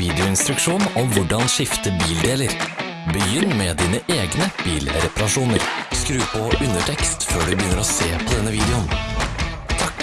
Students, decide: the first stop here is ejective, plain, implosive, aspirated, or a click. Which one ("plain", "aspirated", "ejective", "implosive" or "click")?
plain